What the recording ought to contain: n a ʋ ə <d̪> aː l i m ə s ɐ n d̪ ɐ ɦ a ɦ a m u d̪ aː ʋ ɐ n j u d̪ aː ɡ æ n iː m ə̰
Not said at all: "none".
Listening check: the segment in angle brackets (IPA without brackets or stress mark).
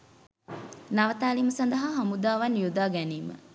t̪